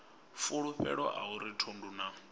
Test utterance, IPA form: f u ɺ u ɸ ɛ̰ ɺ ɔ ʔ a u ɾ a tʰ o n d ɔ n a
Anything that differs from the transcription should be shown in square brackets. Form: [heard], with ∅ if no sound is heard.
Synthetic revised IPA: f u ɺ u ɸ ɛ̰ ɺ ɔ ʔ a u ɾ [i] tʰ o n d [u] n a